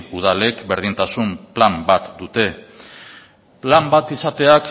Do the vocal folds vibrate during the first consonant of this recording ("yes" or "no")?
yes